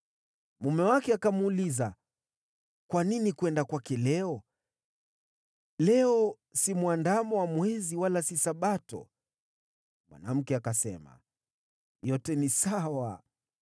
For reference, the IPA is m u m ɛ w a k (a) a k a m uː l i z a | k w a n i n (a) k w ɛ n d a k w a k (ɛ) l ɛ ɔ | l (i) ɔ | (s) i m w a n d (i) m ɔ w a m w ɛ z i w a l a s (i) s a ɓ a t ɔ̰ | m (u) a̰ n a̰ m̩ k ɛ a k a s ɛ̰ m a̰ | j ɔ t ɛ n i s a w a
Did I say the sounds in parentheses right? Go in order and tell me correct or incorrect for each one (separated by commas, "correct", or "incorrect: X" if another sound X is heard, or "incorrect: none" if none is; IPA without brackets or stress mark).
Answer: incorrect: ɛ, incorrect: i, correct, incorrect: ɛ, correct, incorrect: a, correct, incorrect: w